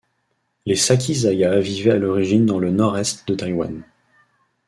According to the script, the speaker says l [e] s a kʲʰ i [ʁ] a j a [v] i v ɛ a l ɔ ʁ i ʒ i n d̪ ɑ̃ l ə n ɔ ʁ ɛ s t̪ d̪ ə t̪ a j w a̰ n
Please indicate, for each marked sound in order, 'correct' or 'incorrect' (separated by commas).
correct, incorrect, correct